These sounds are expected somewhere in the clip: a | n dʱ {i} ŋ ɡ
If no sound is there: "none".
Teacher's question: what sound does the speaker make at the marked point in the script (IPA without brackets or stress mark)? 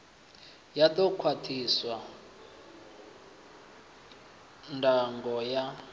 a